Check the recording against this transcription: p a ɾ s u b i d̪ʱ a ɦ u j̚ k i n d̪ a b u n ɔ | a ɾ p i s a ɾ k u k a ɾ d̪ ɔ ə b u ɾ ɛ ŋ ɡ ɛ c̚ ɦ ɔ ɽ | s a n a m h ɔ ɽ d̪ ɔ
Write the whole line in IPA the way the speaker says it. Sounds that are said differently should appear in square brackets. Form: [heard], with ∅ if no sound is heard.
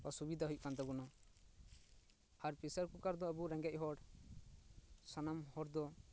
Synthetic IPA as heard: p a [∅] s u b i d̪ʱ a ɦ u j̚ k [a] n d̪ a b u n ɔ | a ɾ p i s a ɾ k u k a ɾ d̪ ɔ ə b u ɾ ɛ ŋ ɡ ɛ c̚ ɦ ɔ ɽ | s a n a m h ɔ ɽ d̪ ɔ